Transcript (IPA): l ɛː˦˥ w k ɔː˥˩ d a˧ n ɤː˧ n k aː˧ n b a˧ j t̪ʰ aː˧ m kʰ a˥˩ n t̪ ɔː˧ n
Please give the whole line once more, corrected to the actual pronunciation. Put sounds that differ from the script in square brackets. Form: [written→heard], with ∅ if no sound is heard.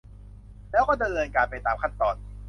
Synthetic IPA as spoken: l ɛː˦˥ w k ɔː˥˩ d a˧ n ɤː˧ n k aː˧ n [b→p] a˧ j [t̪ʰ→t̪] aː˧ m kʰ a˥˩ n t̪ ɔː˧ n